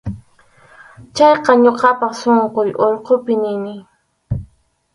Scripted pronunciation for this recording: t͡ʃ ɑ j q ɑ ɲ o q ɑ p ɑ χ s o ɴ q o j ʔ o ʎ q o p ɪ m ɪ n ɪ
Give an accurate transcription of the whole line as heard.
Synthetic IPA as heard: t͡ʃ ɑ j q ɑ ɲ o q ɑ p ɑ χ s o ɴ q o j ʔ o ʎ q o p ɪ n ɪ n ɪ